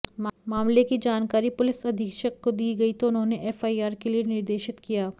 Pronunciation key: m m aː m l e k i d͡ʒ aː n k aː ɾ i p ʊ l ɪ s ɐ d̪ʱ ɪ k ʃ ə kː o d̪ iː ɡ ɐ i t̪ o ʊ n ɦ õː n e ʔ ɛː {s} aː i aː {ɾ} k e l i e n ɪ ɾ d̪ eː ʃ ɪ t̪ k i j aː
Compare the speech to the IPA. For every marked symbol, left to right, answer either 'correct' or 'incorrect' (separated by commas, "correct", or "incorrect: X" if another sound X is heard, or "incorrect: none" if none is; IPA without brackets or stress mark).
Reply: incorrect: f, correct